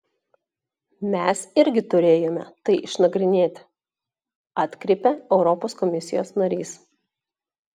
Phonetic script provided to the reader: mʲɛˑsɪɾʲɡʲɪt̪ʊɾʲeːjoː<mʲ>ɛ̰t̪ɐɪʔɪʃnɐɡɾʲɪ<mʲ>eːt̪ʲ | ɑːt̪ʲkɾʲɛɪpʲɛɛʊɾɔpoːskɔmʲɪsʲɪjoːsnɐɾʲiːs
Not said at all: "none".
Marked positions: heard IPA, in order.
mʲ, nʲ

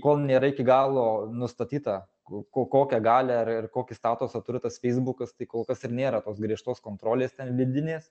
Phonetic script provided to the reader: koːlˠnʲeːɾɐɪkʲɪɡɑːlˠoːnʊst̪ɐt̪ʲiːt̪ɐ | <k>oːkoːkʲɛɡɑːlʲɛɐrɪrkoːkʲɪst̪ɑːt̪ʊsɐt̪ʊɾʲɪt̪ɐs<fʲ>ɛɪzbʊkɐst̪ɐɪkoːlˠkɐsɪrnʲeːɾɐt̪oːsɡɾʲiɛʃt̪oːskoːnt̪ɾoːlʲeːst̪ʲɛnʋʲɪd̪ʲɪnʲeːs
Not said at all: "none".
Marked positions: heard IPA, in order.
k, fʲ

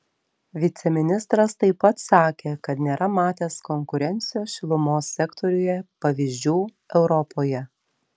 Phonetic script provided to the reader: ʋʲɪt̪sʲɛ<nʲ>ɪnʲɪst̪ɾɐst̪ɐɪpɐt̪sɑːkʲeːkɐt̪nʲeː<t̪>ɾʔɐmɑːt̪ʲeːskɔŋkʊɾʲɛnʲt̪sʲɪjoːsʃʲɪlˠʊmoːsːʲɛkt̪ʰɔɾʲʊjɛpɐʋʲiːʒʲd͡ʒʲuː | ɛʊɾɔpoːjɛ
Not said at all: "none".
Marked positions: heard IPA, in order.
mʲ, none

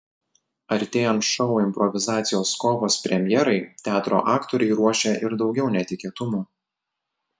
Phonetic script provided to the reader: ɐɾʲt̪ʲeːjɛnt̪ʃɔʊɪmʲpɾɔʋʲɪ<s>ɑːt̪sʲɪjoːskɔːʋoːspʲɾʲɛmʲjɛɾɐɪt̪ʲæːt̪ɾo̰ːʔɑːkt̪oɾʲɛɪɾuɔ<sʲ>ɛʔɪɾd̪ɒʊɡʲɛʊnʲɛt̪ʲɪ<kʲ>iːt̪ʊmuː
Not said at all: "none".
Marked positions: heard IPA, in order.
z, ʃʲ, kʲ

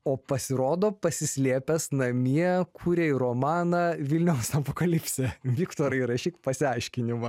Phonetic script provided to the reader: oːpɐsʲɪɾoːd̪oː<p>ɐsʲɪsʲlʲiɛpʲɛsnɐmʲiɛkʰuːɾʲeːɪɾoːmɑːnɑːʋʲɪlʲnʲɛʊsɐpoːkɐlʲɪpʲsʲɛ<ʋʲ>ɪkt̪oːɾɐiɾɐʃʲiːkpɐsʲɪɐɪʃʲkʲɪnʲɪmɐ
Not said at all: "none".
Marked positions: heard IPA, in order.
p, ʋʲ

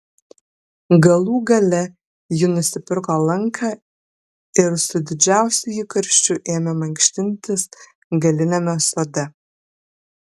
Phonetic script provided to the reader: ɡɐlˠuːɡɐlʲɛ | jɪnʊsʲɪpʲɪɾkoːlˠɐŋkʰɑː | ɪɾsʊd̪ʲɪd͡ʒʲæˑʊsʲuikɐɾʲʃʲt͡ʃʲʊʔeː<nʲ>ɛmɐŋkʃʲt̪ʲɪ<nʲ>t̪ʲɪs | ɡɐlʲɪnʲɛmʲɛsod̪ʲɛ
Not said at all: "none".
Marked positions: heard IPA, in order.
mʲ, nʲ

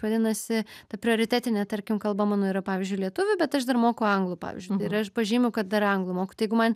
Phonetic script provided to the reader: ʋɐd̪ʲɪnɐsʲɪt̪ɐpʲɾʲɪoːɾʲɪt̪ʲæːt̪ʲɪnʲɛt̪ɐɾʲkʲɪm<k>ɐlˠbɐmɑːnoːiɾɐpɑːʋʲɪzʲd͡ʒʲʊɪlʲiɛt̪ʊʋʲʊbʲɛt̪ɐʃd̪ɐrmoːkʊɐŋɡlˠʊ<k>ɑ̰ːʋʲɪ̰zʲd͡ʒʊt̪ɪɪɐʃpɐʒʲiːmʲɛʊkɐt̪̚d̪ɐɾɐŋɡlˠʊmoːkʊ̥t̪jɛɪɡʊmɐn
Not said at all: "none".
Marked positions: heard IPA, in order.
k, p

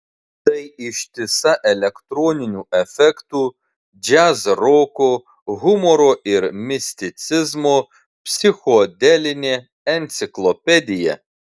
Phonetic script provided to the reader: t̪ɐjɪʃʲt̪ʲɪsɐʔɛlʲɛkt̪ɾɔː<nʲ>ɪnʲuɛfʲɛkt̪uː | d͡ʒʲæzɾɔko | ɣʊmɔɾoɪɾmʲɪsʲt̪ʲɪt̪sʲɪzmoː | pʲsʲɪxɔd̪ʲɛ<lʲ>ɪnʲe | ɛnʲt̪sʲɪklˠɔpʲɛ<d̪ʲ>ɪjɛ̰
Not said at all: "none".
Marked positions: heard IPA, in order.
nʲ, lʲ, d̪ʲ

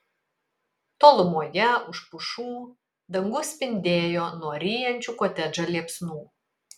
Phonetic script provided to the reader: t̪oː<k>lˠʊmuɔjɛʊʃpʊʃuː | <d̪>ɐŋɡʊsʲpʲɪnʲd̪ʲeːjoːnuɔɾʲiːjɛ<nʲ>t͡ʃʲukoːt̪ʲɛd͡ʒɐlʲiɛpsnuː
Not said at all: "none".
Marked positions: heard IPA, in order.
none, d̪, nʲ

